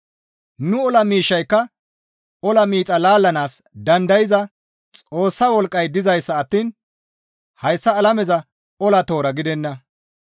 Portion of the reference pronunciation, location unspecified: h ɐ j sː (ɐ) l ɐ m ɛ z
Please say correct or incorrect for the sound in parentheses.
incorrect